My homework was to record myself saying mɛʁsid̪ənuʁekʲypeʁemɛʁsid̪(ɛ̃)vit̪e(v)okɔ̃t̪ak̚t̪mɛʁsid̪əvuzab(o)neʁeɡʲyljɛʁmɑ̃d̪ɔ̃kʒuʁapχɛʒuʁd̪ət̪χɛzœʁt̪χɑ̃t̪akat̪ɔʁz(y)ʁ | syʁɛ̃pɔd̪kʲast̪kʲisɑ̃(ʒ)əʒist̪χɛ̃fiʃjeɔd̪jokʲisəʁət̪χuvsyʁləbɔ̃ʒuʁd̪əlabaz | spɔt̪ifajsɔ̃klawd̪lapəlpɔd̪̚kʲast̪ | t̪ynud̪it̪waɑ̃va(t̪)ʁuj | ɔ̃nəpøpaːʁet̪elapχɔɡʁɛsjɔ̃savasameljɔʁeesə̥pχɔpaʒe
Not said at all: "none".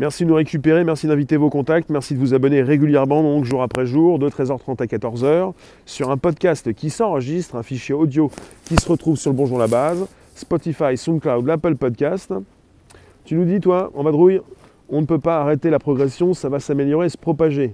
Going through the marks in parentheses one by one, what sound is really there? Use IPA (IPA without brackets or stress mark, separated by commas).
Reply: ɛ̃, v, ɔ, œ, ʁ, d̪